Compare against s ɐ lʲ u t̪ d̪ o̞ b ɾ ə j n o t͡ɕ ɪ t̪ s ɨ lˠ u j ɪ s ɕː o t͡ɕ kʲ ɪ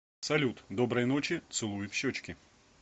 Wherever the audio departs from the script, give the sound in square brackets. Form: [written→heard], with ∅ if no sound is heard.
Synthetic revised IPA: s ɐ lʲ u t̪ d̪ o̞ b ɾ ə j n o t͡ɕ ɪ t̪ s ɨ lˠ u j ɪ [s→f] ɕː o t͡ɕ kʲ ɪ

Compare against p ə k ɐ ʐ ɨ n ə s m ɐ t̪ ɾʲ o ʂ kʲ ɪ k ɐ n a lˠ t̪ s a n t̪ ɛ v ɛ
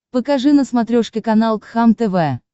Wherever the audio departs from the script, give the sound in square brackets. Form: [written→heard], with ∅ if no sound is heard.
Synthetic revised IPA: p ə k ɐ ʐ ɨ n ə s m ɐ t̪ ɾʲ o ʂ kʲ ɪ k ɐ n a lˠ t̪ [s→x] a [n→m] t̪ ɛ v ɛ

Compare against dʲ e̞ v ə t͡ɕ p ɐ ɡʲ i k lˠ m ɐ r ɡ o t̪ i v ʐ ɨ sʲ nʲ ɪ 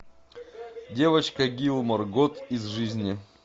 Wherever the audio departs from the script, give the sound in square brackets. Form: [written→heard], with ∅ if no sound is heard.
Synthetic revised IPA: dʲ e̞ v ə t͡ɕ [p→k] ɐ ɡʲ i [k→∅] lˠ m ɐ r ɡ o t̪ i [v→z] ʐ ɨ [sʲ→zʲ] nʲ ɪ

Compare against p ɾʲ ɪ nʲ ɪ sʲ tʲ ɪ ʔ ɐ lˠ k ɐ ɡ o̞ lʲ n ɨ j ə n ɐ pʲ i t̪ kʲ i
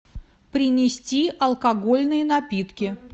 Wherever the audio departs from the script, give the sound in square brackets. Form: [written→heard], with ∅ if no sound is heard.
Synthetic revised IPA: p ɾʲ ɪ nʲ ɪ sʲ tʲ [ɪ→i] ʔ ɐ lˠ k ɐ ɡ o̞ lʲ n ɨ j ə n ɐ pʲ i t̪ kʲ [i→ɪ]

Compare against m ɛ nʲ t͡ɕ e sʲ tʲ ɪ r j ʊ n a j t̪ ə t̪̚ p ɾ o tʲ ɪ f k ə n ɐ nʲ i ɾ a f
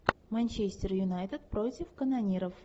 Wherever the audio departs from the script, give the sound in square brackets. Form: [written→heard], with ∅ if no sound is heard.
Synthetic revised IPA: m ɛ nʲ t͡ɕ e sʲ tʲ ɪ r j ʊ n a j t̪ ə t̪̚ p ɾ o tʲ ɪ f k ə n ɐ nʲ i ɾ [a→ə] f

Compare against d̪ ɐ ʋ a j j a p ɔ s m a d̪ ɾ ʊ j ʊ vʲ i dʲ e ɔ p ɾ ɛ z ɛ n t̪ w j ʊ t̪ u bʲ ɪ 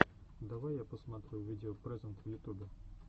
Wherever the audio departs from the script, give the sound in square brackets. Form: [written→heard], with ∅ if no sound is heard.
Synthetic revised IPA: d̪ ɐ ʋ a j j a p ɔ s m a [d̪→t̪] ɾ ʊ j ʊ [vʲ→ʋʲ] i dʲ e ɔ p ɾ ɛ z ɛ n t̪ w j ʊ t̪ u bʲ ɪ

